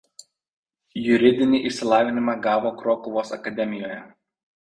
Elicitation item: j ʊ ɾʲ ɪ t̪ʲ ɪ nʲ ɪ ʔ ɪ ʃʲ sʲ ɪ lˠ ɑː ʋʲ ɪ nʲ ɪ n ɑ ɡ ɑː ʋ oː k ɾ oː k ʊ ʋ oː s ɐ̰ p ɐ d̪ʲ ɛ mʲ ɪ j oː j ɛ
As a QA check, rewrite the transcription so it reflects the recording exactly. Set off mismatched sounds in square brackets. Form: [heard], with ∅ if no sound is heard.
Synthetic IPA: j ʊ ɾʲ ɪ [d̪ʲ] ɪ nʲ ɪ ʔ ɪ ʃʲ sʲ ɪ lˠ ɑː ʋʲ ɪ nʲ ɪ [m] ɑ ɡ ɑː ʋ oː k ɾ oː k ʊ ʋ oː s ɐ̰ [k] ɐ d̪ʲ ɛ mʲ ɪ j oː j ɛ